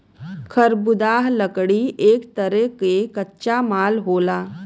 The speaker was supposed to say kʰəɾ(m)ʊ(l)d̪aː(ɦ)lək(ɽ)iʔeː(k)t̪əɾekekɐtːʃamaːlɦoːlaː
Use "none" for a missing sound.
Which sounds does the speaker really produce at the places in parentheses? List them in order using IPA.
b, none, ɦ, ɽ, k

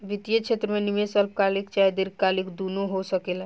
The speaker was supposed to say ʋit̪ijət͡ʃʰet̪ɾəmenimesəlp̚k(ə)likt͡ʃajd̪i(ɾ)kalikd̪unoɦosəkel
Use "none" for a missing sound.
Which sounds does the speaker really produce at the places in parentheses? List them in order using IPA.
a, ɾ

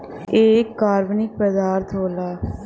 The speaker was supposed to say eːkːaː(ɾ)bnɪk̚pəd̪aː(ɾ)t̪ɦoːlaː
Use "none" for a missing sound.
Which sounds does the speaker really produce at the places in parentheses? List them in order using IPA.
ɾ, ɾ

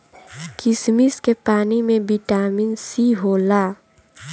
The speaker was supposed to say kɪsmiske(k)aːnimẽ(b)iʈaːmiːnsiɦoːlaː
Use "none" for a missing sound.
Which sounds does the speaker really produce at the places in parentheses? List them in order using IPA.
p, b

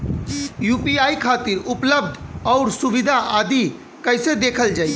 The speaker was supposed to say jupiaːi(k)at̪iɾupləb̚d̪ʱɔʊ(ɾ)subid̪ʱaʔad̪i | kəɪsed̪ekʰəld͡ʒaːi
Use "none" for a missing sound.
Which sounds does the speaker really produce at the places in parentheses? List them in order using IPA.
kʰ, ɾ

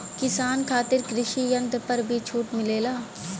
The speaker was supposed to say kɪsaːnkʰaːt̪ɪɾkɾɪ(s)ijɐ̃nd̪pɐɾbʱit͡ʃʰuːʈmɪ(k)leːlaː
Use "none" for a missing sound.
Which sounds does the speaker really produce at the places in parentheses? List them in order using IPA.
ʃ, none

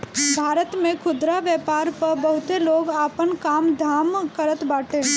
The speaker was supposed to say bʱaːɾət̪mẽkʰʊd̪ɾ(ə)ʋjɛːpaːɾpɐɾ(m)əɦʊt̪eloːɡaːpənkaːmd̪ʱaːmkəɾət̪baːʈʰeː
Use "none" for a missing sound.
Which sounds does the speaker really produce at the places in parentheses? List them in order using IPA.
a, b

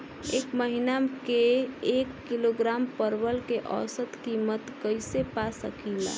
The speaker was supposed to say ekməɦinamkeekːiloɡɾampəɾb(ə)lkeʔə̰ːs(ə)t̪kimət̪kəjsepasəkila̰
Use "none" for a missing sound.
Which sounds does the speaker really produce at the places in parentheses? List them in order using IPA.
ə, ə

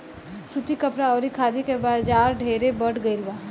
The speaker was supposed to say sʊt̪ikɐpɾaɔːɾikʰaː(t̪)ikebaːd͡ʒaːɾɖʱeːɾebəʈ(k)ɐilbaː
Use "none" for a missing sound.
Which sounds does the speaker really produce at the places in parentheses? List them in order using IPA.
d̪, ɡ

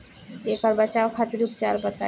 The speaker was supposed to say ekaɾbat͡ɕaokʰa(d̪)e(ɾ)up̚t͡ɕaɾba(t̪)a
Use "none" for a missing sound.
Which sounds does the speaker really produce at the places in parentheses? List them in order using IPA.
t̪, ɾ, t̪

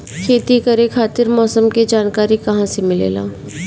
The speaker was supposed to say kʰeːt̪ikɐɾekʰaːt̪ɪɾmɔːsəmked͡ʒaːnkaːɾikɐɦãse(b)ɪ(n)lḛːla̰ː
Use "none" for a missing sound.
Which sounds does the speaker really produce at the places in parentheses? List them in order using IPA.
m, none

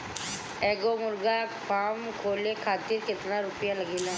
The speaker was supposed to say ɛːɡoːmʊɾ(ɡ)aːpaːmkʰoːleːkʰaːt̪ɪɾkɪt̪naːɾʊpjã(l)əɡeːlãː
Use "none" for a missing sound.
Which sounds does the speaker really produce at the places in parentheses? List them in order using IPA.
ɡ, l

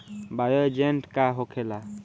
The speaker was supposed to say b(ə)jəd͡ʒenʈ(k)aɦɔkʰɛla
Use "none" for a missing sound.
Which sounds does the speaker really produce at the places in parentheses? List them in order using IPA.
a, k

